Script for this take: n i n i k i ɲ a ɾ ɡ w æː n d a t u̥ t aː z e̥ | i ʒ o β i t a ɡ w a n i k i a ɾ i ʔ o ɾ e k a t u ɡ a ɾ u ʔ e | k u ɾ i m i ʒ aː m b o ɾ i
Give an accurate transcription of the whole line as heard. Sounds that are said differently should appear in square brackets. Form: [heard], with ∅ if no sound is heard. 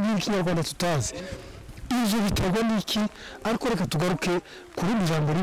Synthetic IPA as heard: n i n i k i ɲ a ɾ ɡ w [aː] n d a t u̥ t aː z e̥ | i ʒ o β i t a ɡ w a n i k i a ɾ i [k] o ɾ e k a t u ɡ a ɾ u [k] e | k u ɾ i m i ʒ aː m b o ɾ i